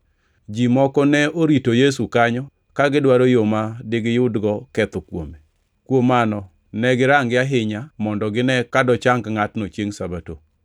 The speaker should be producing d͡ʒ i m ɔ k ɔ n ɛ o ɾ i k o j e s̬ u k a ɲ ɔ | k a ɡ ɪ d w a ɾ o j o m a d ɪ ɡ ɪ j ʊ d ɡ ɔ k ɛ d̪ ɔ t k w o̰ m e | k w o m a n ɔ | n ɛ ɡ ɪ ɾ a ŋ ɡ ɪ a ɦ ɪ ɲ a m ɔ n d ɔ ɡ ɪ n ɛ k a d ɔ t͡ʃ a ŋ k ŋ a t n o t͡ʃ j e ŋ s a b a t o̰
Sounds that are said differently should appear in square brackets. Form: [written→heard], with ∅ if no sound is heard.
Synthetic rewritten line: d͡ʒ i m ɔ k ɔ n ɛ o ɾ i [k→t] o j e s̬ u k a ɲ ɔ | k a ɡ ɪ d w a ɾ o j o m a d ɪ ɡ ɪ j ʊ d ɡ ɔ k ɛ [d̪→t̪] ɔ [t→∅] k w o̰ m e | k w o m a n ɔ | n ɛ ɡ ɪ ɾ a ŋ ɡ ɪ a ɦ ɪ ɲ a m ɔ n d ɔ ɡ ɪ n ɛ k a d ɔ t͡ʃ a ŋ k ŋ a t n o t͡ʃ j e ŋ s a b a t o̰